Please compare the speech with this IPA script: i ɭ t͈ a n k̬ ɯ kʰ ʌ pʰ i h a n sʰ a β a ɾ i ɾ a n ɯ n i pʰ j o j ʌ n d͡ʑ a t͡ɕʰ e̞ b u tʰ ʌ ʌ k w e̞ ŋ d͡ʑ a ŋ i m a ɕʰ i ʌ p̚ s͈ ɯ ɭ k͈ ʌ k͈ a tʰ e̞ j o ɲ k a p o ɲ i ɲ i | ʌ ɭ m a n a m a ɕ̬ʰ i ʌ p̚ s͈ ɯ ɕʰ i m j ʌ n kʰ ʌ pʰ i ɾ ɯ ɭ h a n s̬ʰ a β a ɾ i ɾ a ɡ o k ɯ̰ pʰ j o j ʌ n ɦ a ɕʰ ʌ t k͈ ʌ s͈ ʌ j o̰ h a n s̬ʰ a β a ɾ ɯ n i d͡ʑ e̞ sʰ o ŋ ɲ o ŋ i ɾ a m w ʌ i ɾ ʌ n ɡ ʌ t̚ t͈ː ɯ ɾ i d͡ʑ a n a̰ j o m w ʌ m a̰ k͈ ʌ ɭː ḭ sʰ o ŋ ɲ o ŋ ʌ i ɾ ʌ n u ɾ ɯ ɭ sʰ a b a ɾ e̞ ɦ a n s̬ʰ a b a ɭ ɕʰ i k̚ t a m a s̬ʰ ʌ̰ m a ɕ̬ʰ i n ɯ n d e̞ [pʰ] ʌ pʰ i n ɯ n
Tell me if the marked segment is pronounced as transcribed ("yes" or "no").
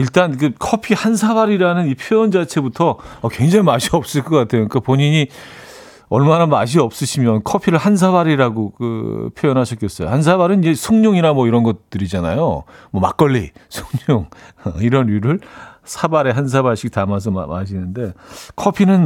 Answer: no